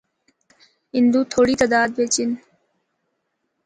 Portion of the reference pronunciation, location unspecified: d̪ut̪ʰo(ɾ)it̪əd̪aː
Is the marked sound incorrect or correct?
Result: incorrect